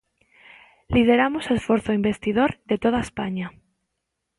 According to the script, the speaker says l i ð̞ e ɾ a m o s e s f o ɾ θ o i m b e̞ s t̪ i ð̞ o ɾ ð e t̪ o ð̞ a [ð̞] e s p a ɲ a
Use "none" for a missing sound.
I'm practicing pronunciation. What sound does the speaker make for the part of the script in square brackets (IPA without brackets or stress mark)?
none